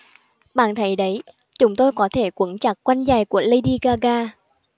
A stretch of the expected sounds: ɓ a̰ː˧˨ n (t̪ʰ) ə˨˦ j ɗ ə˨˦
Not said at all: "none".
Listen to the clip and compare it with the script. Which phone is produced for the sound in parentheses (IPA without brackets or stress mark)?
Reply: t̪ʰ